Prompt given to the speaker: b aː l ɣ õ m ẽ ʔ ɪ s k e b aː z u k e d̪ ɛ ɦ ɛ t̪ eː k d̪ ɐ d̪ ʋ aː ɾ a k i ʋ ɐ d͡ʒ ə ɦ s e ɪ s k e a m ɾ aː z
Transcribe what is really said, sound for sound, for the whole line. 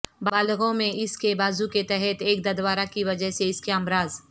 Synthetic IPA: b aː l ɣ õ m ẽ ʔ ɪ s k e b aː z u k e t̪ ɛ ɦ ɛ t̪ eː k d̪ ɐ d̪ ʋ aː ɾ a k i ʋ ɐ d͡ʒ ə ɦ s e ɪ s k e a m ɾ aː z